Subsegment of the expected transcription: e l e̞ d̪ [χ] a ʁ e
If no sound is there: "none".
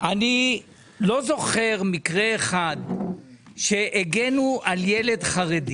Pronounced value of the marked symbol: χ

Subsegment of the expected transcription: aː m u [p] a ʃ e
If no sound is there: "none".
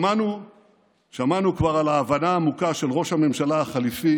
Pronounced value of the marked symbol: k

